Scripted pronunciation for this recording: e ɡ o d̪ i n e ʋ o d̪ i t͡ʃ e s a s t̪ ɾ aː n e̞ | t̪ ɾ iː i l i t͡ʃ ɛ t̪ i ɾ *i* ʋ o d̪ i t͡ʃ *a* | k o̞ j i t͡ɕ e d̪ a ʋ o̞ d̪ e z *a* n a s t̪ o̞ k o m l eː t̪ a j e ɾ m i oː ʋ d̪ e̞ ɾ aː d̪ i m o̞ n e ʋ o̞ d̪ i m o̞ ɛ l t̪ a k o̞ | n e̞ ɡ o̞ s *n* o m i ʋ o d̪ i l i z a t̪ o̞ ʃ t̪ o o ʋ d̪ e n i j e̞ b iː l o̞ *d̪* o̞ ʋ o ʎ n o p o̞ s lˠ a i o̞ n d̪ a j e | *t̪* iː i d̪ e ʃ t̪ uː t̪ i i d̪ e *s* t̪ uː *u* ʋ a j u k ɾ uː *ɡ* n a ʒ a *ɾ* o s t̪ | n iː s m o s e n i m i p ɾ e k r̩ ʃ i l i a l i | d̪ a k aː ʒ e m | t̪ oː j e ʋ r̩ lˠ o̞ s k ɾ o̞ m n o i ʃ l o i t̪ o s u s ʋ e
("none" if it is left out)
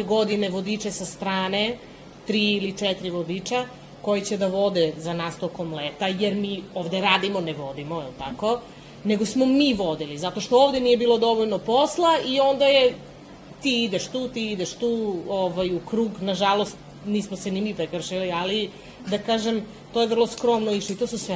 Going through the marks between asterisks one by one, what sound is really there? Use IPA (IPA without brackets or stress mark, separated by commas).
i, a, a, m, d̪, t̪, ʃ, o, ɡ, l